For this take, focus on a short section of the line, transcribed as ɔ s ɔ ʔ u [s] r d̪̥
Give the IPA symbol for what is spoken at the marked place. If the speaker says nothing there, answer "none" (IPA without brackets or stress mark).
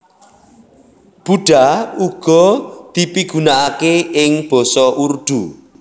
none